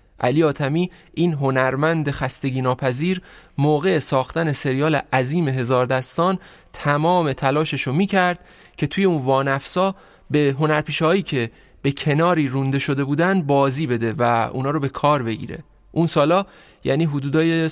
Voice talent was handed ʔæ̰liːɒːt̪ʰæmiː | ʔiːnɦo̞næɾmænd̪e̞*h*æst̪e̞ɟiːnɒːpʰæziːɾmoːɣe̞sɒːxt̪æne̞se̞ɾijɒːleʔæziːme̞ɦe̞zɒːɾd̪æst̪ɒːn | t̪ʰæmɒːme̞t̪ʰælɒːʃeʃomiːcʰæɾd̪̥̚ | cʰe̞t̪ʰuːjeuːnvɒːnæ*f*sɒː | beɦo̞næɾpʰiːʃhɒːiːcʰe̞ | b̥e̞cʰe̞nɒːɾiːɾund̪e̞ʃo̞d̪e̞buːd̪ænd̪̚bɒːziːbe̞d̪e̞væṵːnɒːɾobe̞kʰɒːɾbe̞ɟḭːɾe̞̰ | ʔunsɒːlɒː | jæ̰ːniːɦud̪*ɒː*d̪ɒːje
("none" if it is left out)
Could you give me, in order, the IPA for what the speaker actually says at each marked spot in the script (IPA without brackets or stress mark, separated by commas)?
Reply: x, f, uː